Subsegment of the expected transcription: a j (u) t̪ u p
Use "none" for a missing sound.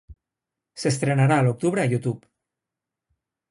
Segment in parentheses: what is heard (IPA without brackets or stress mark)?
u